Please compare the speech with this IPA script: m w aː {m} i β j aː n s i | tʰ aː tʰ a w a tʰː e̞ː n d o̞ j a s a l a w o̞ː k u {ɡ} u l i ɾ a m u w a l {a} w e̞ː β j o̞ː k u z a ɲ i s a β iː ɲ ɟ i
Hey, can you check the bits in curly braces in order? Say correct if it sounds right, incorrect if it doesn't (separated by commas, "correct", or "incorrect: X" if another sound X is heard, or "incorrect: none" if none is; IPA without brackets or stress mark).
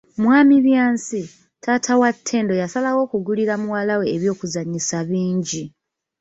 correct, correct, correct